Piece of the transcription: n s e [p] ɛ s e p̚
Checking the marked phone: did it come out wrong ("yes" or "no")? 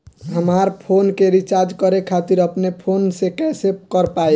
yes